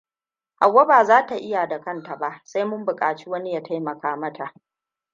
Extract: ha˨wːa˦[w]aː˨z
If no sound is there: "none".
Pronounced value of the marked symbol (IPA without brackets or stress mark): b